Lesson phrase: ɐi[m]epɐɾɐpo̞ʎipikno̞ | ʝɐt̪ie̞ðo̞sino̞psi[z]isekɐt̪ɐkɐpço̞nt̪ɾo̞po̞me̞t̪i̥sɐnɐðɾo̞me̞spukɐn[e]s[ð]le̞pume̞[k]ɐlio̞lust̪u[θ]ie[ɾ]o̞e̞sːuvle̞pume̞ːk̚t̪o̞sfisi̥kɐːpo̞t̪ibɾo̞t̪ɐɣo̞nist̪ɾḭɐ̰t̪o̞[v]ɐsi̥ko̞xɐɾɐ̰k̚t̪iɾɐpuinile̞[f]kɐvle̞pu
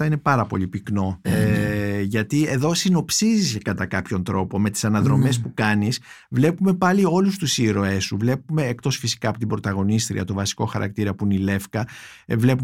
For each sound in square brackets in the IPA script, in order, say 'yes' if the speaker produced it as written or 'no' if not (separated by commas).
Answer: no, yes, no, no, no, no, yes, yes, yes